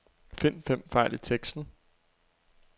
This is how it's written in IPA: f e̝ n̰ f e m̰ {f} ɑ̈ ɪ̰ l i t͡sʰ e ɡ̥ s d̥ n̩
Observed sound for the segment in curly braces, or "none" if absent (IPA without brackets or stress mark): f